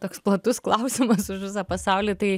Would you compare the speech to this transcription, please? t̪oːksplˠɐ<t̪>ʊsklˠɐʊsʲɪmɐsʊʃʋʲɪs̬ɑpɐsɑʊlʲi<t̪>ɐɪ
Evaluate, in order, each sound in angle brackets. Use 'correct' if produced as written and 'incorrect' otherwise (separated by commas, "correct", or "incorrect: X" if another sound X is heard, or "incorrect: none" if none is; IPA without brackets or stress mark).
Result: correct, correct